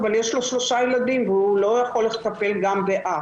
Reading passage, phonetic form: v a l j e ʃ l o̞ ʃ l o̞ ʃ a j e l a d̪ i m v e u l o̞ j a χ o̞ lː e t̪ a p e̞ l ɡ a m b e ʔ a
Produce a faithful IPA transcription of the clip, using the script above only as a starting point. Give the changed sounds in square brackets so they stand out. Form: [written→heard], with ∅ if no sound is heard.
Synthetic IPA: v a l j e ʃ l o̞ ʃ l o̞ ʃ a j e l a d̪ i m v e u l o̞ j a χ o̞ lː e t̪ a p e̞ l ɡ a m b e ʔ a